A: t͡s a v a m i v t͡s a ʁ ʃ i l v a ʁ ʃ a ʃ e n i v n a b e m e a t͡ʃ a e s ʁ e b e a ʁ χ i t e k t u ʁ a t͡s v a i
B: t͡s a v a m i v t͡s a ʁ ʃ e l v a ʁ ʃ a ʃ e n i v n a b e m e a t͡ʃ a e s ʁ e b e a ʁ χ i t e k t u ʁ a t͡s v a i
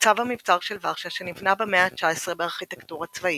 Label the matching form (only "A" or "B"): B